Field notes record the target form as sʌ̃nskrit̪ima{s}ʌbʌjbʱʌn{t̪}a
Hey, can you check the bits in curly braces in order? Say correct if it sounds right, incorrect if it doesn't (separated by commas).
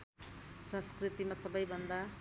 correct, incorrect